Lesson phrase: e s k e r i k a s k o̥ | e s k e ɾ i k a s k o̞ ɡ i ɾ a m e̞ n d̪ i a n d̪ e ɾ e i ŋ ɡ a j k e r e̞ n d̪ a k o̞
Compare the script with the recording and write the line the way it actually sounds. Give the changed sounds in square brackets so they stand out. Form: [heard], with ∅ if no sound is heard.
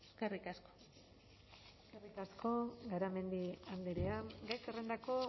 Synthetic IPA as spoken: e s k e r i k a s k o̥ | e s k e [r] i k a s k o̞ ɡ [a] ɾ a m e̞ n d̪ i a n d̪ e ɾ e [a] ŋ ɡ a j k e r e̞ n d̪ a k o̞